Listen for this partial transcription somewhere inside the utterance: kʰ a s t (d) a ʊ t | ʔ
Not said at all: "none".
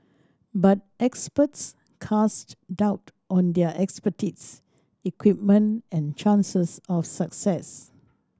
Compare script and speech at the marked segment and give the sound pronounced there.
d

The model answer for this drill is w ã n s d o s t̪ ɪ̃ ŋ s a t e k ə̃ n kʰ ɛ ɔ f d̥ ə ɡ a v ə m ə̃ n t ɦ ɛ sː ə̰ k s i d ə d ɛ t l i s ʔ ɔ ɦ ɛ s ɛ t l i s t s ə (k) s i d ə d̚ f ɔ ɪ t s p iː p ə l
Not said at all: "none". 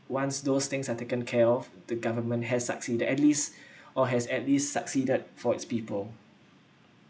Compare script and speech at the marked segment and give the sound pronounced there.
k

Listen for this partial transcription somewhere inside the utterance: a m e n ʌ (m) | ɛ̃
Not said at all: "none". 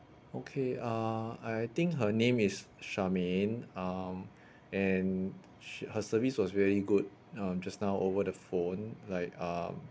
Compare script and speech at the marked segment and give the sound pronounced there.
m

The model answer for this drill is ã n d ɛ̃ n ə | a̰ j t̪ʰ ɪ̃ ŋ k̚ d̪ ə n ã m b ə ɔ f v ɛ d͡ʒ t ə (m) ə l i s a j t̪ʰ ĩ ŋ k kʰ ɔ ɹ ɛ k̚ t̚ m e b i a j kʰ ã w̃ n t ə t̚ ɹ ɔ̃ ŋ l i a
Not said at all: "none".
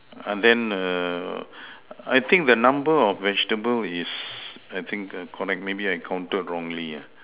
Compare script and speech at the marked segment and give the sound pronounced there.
b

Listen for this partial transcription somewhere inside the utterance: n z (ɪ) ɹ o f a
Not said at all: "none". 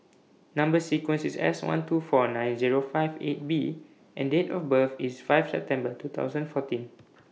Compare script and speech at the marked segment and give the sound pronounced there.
i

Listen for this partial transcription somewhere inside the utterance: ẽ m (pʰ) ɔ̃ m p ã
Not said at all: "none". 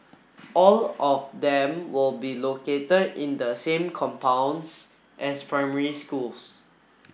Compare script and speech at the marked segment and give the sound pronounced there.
kʰ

